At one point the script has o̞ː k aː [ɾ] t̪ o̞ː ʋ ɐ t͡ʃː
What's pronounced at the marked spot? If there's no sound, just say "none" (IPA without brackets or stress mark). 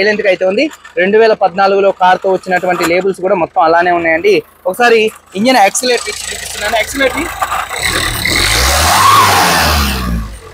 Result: ɾ